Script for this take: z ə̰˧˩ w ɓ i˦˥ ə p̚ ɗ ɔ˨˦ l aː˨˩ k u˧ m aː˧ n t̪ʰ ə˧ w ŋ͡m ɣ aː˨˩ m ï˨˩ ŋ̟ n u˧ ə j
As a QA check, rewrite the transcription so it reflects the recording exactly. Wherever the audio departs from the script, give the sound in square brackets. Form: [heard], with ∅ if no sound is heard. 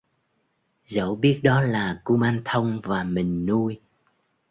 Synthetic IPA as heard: z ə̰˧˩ w ɓ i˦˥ ə [t̚] ɗ ɔ˨˦ l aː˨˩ k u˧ m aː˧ n t̪ʰ ə˧ w ŋ͡m [v] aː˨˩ m ï˨˩ ŋ̟ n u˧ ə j